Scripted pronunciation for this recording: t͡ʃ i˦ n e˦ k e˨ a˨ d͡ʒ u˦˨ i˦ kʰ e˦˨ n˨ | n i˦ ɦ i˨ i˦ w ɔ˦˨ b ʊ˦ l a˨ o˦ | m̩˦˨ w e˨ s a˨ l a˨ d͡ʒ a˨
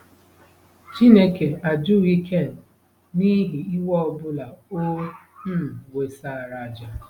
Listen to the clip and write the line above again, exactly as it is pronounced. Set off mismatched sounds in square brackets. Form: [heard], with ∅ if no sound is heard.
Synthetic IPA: t͡ʃ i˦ n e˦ k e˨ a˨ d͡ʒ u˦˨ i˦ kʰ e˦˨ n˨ | n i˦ ɦ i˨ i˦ w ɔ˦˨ b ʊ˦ l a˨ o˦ | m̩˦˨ w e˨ s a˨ [ɾ] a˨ d͡ʒ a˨